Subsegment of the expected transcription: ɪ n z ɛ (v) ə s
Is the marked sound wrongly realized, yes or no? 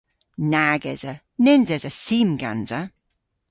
yes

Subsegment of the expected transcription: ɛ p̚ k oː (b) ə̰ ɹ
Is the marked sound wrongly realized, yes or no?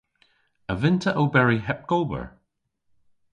no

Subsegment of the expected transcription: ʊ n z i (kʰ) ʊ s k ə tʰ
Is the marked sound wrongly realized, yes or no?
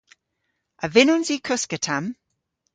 no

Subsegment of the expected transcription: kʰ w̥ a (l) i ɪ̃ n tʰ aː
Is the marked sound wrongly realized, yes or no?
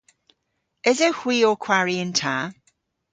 yes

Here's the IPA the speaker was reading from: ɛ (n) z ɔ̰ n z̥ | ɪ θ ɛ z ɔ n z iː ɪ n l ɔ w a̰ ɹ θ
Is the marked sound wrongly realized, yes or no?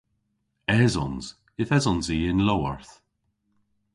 yes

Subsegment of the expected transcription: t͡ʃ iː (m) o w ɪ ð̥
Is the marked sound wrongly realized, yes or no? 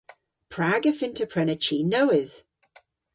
yes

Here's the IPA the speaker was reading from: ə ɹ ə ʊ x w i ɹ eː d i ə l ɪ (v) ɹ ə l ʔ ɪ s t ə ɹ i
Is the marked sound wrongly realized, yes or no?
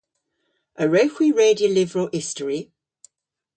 no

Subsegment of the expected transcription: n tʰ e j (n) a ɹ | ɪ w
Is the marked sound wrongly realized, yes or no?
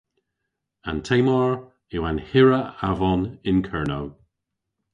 yes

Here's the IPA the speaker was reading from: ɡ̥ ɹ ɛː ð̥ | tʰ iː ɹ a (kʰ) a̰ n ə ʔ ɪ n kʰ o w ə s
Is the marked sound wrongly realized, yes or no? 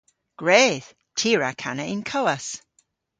no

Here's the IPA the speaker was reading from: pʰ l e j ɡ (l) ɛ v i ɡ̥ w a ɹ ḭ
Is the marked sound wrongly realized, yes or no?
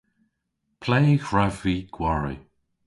yes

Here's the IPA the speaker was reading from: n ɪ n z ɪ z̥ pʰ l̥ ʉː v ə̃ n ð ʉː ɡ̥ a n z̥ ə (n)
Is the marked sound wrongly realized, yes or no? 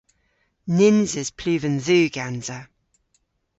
yes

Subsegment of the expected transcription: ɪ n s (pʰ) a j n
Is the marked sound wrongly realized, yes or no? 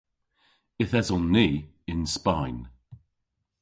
yes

